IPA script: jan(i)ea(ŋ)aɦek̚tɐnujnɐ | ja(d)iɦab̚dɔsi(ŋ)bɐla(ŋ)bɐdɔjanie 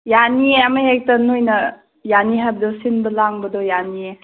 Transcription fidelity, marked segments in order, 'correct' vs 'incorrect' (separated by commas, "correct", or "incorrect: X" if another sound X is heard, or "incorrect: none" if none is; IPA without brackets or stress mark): correct, incorrect: m, incorrect: n, incorrect: n, correct